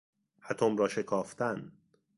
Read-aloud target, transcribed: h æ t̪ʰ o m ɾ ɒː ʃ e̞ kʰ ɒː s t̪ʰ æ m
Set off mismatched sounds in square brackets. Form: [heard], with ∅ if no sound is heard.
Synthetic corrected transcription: h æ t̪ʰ o m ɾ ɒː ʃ e̞ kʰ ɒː [f] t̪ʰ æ [n]